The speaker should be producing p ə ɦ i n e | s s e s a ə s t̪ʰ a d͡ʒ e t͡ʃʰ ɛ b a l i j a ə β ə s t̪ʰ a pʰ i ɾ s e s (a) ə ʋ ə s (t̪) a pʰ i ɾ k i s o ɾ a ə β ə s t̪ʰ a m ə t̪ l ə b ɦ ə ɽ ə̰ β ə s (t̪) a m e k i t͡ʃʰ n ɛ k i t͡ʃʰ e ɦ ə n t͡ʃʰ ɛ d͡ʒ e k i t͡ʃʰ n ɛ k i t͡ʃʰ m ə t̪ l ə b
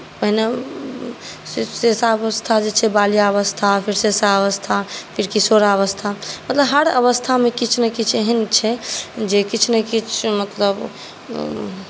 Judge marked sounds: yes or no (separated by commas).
yes, no, no